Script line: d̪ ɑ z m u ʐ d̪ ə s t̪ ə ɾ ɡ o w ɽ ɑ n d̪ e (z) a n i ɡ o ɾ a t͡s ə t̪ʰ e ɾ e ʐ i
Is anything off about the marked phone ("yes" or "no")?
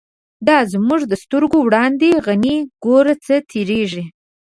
yes